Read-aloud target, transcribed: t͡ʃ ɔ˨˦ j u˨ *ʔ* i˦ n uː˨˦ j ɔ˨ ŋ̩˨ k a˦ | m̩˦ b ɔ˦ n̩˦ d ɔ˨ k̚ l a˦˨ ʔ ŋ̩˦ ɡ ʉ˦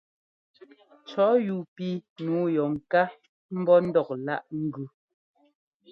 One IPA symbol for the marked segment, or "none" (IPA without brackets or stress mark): p